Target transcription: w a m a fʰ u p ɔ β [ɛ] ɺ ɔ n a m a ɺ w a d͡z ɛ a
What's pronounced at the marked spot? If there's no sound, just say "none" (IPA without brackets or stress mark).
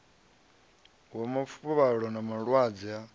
a